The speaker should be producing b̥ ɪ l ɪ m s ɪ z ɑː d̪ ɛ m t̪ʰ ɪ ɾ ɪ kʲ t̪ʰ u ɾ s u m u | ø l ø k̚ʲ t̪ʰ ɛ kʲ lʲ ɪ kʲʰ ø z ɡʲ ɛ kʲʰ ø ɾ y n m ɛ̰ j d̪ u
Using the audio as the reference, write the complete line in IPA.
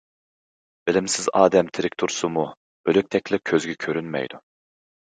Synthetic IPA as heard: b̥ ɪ l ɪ m s ɪ z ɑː d̪ ɛ m t̪ʰ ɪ ɾ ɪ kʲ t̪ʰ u ɾ s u m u | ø l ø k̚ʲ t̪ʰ ɛ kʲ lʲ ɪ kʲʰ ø z ɡʲ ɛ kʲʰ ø ɾ y n m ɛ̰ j d̪ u